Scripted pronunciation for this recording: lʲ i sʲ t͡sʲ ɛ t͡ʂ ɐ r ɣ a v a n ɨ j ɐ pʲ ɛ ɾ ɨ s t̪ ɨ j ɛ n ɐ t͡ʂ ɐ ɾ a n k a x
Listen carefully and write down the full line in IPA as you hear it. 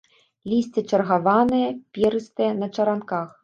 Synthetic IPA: lʲ i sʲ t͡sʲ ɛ t͡ʂ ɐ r ɣ a v a n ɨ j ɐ pʲ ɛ ɾ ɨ s t̪ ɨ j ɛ n ɐ t͡ʂ ɐ ɾ a n k a x